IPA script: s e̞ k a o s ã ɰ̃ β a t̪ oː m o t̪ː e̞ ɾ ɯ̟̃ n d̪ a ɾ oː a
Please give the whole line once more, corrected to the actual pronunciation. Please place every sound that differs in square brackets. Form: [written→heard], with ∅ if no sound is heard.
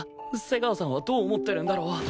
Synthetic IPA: s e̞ [k→ɡ] a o s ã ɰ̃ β a [t̪→d̪] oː m o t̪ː e̞ ɾ [ɯ̟̃→ɯ̟] n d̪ a ɾ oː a